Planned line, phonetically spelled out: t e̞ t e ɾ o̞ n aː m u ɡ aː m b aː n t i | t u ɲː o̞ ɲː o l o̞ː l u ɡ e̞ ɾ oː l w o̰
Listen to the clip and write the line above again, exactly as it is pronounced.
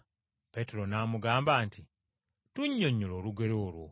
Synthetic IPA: p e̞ t e ɾ o̞ n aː m u ɡ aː m b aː n t i | t u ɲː o̞ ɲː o l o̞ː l u ɡ e̞ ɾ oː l w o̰